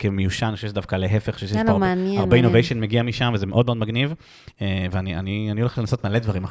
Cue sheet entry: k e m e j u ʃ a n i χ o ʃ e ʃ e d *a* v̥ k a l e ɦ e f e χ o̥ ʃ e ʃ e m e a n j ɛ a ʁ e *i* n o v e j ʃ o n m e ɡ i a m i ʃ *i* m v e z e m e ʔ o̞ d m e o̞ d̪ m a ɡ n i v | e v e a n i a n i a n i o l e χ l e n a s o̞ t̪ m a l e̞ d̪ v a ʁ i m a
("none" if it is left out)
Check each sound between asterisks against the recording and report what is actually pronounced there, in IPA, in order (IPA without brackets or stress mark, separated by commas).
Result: a, i, a